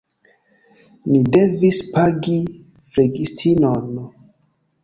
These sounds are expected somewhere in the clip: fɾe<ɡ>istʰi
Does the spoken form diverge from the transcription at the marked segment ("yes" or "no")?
no